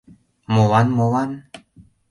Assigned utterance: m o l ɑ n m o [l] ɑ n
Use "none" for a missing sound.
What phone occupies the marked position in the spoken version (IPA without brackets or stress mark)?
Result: l